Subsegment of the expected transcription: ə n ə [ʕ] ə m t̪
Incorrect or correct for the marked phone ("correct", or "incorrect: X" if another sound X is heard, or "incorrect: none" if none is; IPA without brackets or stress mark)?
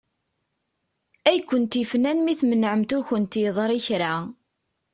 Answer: correct